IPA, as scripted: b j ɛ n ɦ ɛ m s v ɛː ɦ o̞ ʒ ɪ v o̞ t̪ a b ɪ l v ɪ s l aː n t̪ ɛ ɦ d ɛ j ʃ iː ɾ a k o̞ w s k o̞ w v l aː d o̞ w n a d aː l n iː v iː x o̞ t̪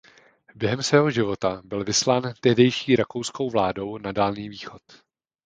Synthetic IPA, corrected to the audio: b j ɛ ɦ ɛ m s v ɛː ɦ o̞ ʒ ɪ v o̞ t̪ a b ɪ l v ɪ s l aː n t̪ ɛ ɦ d ɛ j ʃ iː ɾ a k o̞ w s k o̞ w v l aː d o̞ w n a d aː l n iː v iː x o̞ t̪